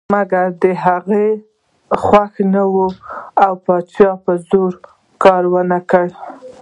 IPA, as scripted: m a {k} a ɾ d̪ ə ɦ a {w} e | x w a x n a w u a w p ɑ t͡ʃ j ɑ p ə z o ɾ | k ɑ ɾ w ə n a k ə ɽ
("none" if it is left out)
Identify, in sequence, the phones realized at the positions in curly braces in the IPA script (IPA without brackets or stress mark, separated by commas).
ɡ, ɣ